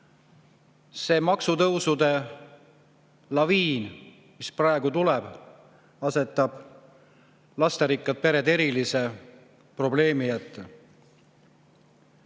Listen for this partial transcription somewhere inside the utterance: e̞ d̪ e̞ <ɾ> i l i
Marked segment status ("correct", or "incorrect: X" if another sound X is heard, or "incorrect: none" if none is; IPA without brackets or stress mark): correct